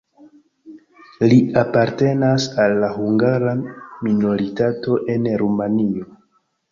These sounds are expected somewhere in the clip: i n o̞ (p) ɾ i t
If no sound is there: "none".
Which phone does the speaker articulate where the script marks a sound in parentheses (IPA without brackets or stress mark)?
none